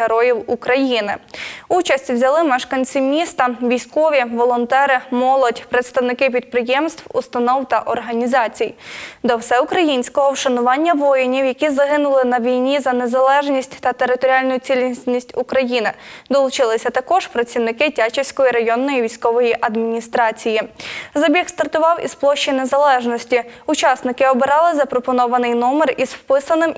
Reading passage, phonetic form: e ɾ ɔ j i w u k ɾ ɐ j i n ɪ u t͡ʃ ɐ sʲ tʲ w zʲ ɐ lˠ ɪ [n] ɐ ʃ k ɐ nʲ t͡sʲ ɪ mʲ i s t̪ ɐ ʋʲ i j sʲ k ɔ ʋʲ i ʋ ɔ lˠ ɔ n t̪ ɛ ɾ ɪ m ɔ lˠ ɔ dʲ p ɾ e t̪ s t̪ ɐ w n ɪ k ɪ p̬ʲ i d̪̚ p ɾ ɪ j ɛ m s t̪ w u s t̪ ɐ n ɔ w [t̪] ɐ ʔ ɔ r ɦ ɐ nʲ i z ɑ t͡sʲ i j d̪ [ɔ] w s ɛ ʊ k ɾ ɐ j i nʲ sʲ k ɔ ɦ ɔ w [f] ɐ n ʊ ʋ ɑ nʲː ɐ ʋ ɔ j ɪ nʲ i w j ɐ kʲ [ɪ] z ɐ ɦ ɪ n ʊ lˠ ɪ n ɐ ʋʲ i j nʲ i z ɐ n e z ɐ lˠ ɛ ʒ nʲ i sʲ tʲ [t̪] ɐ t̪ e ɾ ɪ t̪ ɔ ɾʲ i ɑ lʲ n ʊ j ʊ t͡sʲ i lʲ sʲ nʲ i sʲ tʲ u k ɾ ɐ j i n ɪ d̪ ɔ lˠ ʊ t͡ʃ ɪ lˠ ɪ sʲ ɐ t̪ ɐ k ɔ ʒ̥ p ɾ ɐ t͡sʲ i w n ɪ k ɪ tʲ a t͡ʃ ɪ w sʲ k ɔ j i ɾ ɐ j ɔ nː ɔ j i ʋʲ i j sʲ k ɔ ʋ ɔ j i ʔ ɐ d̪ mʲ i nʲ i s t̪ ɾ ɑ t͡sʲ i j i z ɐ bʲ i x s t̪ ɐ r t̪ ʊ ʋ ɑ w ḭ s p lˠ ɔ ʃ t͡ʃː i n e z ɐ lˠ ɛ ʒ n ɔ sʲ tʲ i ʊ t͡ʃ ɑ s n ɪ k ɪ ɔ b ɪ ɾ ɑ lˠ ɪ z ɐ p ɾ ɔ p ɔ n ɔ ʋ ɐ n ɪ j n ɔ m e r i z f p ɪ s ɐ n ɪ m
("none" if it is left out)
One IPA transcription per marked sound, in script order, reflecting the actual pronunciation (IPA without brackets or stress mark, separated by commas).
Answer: m, t̪, ɔ, ʃ, i, t̪